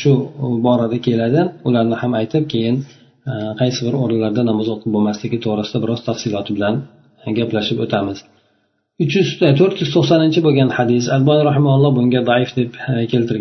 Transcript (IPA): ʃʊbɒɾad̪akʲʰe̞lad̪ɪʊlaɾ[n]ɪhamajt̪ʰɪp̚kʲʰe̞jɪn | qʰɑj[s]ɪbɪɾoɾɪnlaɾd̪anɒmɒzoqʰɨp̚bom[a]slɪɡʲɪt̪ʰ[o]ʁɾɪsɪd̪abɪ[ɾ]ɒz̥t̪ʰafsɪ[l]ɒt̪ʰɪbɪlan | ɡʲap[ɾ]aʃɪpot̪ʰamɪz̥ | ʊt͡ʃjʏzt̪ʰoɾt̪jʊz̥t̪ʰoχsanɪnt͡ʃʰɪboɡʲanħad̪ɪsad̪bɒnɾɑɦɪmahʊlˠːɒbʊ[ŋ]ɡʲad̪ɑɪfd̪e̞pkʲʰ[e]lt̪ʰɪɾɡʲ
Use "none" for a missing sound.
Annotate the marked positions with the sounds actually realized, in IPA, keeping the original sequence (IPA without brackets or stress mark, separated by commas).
n, s, a, o, ɾ, l, l, ŋ, e